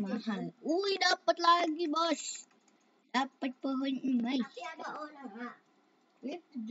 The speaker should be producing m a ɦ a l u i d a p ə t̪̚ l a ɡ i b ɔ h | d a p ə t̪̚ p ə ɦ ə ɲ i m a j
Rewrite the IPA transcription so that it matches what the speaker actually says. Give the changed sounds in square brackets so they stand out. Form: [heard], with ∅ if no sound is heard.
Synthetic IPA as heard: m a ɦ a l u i d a p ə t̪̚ l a ɡ i b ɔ [s] | d a p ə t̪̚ p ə ɦ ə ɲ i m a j